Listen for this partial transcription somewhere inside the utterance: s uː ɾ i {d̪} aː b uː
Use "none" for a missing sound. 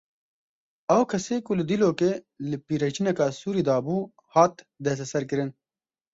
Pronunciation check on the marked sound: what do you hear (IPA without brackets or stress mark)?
d̪